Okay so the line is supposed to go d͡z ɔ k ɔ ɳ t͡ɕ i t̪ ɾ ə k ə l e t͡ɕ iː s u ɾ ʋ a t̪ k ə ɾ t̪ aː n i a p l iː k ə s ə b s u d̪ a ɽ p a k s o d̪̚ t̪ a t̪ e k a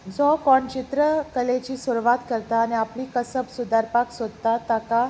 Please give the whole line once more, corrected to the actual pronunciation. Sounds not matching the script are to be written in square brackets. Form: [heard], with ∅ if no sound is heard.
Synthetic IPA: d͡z ɔ k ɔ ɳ t͡ɕ i t̪ ɾ ə k ə l e t͡ɕ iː s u ɾ ʋ a t̪ k ə ɾ t̪ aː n i a p l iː k ə s ə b s u d̪ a [ɾ] p a k s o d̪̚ t̪ a t̪ [a] k a

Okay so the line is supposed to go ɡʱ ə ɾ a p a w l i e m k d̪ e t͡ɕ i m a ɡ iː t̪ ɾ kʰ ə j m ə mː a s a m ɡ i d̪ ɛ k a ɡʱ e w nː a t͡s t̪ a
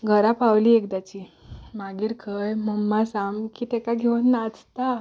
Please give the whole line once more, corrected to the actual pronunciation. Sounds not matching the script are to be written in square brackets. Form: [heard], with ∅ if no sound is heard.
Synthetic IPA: ɡʱ ə ɾ a p a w l i e [∅] k d̪ [a] t͡ɕ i m a ɡ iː [∅] ɾ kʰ ə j m ə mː a s a m [k] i [t̪] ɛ k a ɡʱ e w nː a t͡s t̪ a

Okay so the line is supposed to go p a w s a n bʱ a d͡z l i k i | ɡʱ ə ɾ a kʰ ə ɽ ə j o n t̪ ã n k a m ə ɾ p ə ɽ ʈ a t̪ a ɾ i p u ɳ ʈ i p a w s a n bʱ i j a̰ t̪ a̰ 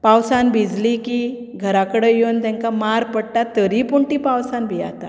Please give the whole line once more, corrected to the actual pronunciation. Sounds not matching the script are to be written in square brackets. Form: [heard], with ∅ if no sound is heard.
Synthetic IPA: p a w s a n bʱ [i] d͡z l i k i | ɡʱ ə ɾ a [k] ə ɽ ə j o n t̪ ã [ŋ] k a m [a] ɾ p ə ɽ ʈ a t̪ [ə] ɾ i p u ɳ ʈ i p a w s a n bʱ i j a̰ t̪ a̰

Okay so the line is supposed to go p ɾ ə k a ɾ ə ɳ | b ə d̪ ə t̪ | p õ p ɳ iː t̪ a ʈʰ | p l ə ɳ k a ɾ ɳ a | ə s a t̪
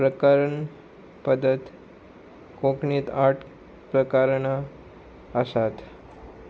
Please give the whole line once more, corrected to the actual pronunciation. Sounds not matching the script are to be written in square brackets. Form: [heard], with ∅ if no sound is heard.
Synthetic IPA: p ɾ ə k a ɾ ə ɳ | [p] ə d̪ ə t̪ | [k] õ [k] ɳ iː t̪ a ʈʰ | p [ɾ] ə [∅] k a ɾ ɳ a | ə s a t̪

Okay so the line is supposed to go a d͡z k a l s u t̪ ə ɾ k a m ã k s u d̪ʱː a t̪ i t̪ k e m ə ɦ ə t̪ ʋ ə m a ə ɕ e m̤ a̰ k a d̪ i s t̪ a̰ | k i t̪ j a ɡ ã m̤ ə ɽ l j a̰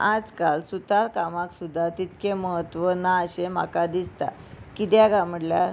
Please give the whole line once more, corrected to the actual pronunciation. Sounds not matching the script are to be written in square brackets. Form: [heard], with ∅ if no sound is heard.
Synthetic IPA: a d͡z k a l s u t̪ [a] ɾ k a m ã k s u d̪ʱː a t̪ i t̪ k e m ə ɦ ə t̪ ʋ ə [n] a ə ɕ e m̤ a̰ k a d̪ i s t̪ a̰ | k i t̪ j a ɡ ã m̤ ə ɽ l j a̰

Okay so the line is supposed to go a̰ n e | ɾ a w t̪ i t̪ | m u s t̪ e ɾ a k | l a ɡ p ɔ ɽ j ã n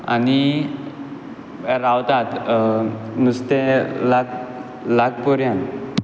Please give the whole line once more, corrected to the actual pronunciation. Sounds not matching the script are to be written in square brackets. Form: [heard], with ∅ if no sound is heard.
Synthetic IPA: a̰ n [i] | ɾ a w t̪ [a] t̪ | m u s t̪ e [l] a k | l a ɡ p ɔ [ɾ] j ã n

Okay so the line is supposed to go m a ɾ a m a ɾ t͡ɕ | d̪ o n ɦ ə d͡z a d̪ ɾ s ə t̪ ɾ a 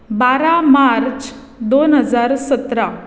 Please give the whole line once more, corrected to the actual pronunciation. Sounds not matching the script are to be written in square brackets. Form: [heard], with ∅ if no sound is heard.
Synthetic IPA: [b] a ɾ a m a ɾ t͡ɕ | d̪ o n ɦ ə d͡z a [∅] ɾ s ə t̪ ɾ a

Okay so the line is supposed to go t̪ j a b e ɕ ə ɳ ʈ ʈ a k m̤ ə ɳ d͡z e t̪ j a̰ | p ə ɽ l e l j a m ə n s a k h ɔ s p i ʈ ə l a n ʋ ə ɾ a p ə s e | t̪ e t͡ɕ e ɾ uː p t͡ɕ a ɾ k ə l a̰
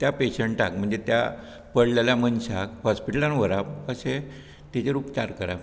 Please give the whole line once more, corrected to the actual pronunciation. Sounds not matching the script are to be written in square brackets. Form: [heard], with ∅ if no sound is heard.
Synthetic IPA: t̪ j a [p] e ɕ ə ɳ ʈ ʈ a k m̤ ə ɳ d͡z e t̪ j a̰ | p ə ɽ l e l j a m ə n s a k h ɔ s p i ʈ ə l a n ʋ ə ɾ a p ə s e | t̪ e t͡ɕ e ɾ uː p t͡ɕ a ɾ k ə [ɾ] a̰

